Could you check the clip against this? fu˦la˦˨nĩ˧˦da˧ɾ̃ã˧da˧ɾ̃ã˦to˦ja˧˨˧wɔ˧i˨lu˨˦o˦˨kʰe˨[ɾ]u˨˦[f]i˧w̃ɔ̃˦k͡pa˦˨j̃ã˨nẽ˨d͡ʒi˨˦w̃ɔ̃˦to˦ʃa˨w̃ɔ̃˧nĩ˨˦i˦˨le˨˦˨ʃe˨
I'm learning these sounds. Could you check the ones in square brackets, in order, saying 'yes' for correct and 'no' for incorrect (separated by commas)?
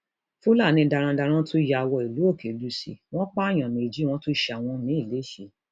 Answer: no, no